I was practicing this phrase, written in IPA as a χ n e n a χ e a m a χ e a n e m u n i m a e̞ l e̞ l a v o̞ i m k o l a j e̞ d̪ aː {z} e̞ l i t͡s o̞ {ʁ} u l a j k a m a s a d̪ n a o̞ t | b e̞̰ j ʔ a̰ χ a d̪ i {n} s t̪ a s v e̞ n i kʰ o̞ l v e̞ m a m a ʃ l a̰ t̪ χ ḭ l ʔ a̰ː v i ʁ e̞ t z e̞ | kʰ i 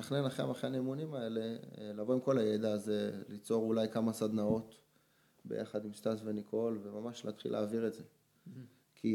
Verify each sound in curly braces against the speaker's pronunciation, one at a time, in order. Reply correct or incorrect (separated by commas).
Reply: correct, correct, incorrect